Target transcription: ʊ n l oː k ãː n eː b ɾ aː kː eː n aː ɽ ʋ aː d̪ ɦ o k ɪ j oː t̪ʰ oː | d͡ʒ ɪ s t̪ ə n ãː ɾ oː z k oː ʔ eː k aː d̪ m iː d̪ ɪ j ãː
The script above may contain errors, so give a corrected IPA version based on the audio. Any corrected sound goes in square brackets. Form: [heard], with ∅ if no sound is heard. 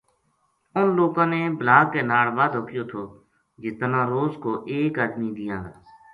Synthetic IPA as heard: ʊ n l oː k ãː n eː b [l] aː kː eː n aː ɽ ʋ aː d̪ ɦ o k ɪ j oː t̪ʰ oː | d͡ʒ ɪ s t̪ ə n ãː ɾ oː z k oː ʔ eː k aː d̪ m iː d̪ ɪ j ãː